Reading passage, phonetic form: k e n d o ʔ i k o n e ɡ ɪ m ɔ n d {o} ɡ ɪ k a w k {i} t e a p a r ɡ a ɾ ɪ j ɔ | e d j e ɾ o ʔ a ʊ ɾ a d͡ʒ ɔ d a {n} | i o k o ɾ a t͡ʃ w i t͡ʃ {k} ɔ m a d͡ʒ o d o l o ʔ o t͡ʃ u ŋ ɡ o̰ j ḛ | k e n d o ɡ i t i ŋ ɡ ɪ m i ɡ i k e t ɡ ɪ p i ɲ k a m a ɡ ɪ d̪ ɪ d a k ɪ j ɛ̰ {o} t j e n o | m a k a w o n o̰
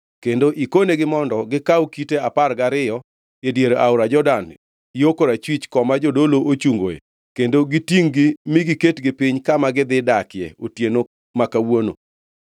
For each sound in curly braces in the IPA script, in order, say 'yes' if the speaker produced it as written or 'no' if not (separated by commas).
no, yes, yes, yes, yes